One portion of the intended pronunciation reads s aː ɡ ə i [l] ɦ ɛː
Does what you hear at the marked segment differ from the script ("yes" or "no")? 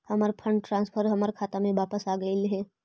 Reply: no